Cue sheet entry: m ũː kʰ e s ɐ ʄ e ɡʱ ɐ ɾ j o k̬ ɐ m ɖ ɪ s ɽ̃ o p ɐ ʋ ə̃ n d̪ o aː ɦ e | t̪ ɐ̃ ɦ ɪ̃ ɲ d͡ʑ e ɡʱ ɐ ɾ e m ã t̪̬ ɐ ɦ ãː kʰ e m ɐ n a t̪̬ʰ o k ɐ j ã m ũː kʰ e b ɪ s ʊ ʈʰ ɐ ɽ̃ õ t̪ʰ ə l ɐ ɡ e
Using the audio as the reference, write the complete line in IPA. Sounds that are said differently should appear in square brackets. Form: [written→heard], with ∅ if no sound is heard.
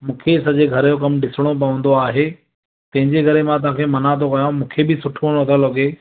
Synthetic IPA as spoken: m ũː kʰ e s ɐ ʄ e ɡʱ ɐ ɾ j o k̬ ɐ m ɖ ɪ s ɽ̃ o p ɐ ʋ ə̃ n d̪ o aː ɦ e | t̪ ɐ̃ ɦ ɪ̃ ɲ d͡ʑ e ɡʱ ɐ ɾ e m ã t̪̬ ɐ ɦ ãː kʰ e m ɐ n a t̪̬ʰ o k ɐ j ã m ũː kʰ e b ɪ s ʊ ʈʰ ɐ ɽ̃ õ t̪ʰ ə l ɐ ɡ e